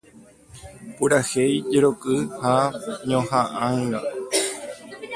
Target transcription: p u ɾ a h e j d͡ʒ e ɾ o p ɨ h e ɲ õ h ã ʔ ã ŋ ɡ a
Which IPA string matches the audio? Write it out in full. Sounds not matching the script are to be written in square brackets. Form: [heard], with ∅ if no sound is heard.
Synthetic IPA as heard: p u ɾ a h e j d͡ʒ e ɾ o [k] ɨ h [a] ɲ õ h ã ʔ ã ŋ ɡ a